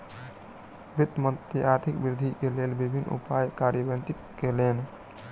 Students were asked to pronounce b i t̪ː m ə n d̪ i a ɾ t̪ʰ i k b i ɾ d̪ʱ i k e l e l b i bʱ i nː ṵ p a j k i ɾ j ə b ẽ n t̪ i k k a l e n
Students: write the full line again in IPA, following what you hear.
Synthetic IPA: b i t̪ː m ə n t̪ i a ɾ t̪ʰ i k b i ɾ d̪ʱ i k e l e l b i bʱ i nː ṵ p a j k a ɾ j ə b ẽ n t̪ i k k e l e n